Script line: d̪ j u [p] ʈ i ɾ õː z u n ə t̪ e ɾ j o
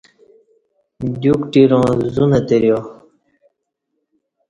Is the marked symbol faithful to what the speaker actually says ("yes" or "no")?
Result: no